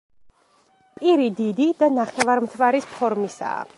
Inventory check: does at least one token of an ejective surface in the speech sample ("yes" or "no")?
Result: yes